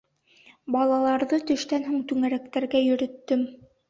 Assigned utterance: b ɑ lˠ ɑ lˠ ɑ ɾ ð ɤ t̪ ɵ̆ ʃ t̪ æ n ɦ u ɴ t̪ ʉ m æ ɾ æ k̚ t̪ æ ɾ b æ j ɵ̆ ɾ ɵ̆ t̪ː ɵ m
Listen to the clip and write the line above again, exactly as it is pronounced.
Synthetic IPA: b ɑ lˠ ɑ lˠ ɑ ɾ ð ɤ t̪ ɵ̆ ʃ t̪ æ n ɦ u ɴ t̪ ʉ ŋ æ ɾ æ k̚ t̪ æ ɾ ɡ æ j ɵ̆ ɾ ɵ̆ t̪ː ɵ m